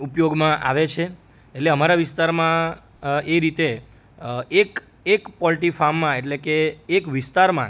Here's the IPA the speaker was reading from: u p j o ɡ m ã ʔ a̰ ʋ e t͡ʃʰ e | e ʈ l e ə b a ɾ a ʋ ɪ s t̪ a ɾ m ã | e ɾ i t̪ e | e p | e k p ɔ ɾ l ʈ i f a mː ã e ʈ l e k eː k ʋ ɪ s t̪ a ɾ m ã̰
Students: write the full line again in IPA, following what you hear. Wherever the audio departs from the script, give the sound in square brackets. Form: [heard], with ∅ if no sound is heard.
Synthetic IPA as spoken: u p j o ɡ m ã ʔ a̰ ʋ e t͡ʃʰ e | e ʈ l e ə [m] a ɾ a ʋ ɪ s t̪ a ɾ m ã | e ɾ i t̪ e | e [k] | e k p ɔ [∅] l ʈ i f a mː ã e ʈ l e k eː k ʋ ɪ s t̪ a ɾ m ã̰